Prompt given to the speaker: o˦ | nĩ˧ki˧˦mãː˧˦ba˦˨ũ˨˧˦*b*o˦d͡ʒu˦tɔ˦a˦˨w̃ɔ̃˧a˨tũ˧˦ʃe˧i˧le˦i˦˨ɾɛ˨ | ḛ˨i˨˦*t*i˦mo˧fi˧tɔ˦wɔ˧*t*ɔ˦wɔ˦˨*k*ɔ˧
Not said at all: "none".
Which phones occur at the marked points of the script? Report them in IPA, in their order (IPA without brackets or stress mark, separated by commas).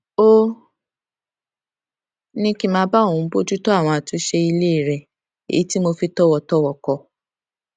b, t, t, k